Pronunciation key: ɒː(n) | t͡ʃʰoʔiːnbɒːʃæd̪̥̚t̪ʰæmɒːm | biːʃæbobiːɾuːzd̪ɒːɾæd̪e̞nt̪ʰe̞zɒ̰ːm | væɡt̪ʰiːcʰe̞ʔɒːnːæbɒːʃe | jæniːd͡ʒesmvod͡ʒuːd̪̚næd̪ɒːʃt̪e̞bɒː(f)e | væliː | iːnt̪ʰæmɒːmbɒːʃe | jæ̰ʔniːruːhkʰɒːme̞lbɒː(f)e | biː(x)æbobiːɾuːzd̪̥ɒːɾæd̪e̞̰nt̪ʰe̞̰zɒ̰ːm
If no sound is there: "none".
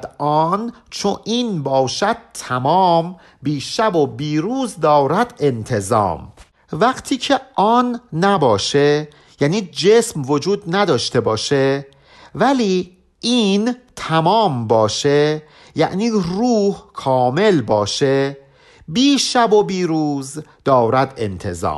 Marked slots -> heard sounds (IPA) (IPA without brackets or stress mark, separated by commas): n, ʃ, ʃ, ʃ